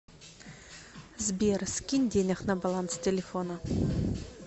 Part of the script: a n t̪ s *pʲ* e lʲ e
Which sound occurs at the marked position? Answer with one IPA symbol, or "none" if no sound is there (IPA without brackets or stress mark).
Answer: tʲ